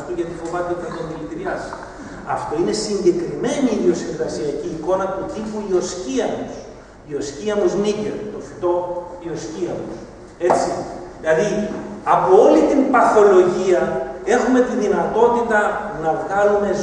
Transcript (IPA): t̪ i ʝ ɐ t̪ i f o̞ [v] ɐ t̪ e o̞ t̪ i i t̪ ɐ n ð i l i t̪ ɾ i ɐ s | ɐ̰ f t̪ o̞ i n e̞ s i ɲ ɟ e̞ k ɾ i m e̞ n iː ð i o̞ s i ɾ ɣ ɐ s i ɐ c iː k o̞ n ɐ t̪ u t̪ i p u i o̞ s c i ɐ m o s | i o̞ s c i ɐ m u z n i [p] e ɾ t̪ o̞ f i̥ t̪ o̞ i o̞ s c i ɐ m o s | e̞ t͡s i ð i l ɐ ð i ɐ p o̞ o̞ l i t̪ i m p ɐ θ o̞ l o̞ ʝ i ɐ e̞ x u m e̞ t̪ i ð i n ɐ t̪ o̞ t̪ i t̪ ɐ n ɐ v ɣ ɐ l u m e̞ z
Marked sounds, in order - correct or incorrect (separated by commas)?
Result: correct, incorrect